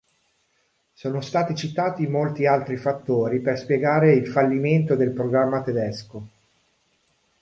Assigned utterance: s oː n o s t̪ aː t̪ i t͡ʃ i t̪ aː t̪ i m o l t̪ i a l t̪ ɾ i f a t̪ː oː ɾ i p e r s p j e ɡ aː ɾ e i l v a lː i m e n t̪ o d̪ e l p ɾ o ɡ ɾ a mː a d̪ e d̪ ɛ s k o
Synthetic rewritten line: s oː n o s t̪ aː t̪ i t͡ʃ i t̪ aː t̪ i m o l t̪ i a l t̪ ɾ i f a t̪ː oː ɾ i p e r s p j e ɡ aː ɾ e i l f a lː i m e n t̪ o d̪ e l p ɾ o ɡ ɾ a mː a t̪ e d̪ ɛ s k o